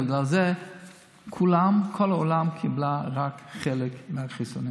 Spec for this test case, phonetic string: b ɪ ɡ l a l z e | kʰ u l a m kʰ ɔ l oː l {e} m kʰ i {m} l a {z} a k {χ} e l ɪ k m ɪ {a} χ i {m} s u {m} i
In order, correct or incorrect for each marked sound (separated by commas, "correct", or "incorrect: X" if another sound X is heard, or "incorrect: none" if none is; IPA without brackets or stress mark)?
incorrect: a, incorrect: b, incorrect: ʁ, correct, correct, incorrect: none, incorrect: n